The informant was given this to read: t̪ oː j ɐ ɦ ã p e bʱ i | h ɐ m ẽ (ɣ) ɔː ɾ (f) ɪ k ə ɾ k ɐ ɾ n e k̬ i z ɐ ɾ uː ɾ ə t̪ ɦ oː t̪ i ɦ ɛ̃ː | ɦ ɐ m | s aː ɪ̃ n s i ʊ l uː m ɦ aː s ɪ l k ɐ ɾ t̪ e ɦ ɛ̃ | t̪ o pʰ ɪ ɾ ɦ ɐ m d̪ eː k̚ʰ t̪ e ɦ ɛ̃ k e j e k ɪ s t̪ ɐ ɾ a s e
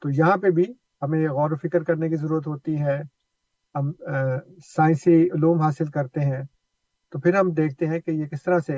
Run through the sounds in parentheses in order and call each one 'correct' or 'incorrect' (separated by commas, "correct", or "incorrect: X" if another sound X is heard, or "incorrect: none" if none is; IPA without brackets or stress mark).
correct, correct